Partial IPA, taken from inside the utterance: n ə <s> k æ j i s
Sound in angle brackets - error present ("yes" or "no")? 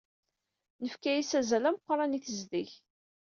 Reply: yes